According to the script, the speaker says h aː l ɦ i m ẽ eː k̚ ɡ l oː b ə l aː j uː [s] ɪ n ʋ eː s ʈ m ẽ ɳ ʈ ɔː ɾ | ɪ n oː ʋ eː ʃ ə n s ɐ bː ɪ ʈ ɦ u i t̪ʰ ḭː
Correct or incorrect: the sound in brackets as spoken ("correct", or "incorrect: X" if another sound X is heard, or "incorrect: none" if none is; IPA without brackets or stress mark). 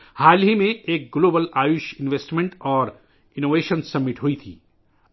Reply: incorrect: ʃ